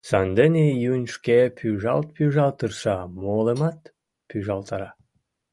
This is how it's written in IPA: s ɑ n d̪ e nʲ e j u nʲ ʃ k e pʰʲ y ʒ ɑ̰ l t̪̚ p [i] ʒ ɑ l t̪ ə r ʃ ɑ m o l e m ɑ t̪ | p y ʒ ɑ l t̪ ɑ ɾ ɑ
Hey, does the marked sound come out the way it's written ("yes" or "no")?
no